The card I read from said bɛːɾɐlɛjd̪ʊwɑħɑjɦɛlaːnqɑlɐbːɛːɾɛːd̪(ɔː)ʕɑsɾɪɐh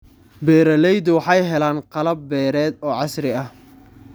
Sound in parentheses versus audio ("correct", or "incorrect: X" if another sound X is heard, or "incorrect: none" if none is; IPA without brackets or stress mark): correct